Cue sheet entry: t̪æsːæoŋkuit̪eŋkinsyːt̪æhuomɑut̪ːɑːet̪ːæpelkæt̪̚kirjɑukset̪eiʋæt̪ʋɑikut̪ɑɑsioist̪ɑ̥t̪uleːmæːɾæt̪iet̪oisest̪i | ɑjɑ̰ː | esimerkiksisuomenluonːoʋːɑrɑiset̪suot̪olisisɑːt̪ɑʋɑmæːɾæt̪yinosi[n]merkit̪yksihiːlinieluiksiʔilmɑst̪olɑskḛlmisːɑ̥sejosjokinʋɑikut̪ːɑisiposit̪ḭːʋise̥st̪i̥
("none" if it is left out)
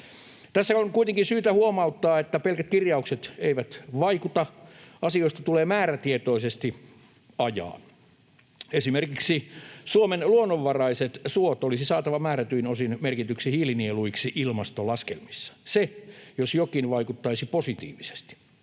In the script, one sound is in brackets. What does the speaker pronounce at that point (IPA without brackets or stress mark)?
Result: n